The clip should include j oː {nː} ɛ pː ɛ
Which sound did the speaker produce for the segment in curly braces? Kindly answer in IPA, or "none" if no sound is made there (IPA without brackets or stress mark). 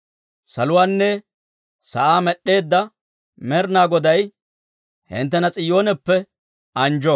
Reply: n